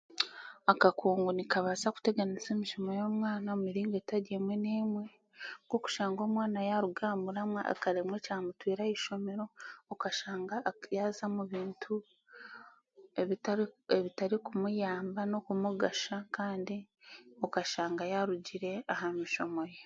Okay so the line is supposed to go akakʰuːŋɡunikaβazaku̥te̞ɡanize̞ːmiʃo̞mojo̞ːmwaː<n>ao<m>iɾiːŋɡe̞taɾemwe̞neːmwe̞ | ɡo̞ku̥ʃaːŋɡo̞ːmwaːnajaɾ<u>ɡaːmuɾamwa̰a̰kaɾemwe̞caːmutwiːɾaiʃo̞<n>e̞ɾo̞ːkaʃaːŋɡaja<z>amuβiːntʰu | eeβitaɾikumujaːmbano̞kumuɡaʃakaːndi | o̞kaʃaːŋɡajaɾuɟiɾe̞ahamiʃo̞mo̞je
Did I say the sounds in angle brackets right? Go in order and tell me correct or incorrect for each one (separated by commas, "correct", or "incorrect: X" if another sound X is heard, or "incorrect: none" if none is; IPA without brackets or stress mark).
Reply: correct, correct, correct, incorrect: m, correct